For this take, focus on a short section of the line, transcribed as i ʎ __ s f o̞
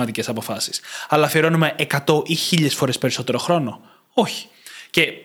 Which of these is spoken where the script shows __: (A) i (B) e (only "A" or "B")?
B